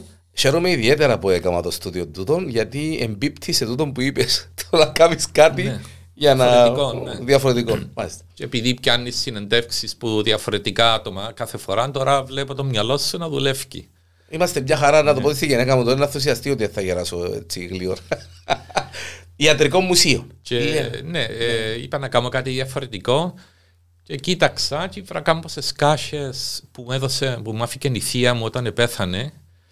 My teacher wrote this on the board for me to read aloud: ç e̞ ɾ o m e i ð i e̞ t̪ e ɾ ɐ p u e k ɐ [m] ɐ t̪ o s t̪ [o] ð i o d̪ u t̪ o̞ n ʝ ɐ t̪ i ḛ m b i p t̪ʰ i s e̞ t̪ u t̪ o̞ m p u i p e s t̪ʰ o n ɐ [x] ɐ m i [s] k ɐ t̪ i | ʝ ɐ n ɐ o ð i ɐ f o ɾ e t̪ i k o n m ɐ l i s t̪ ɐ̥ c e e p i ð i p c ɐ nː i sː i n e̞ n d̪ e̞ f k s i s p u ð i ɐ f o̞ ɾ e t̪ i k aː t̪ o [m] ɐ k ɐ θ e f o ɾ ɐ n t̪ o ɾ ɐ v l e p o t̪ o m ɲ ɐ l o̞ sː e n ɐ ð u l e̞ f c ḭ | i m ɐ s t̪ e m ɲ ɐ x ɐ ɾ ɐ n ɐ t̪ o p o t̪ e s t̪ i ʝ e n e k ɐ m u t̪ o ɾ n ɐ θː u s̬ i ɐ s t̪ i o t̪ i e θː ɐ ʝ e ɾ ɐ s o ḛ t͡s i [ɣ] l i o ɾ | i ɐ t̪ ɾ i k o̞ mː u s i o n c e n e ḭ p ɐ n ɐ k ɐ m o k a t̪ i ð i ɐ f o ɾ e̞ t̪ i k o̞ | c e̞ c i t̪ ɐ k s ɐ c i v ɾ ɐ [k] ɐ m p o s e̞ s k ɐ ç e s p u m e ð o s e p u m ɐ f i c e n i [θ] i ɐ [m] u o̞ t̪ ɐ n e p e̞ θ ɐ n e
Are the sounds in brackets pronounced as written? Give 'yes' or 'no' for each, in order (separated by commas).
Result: yes, no, no, yes, yes, yes, yes, yes, yes